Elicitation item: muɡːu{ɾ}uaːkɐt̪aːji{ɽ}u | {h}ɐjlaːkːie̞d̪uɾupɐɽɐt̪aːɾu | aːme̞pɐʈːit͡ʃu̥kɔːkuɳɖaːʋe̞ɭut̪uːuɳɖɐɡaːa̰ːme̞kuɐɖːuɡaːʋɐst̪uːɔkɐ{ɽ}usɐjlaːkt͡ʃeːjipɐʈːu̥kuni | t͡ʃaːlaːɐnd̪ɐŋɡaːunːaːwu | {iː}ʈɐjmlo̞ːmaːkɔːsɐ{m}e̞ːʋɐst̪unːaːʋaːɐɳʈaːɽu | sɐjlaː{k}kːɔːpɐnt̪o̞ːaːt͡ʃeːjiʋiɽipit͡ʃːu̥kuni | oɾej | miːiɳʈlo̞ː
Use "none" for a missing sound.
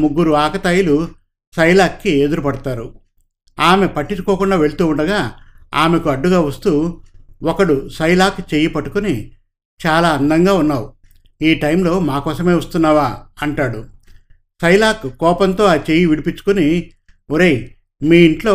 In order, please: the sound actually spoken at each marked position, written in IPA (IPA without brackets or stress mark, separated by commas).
ɾ, l, s, ɽ, iː, m, k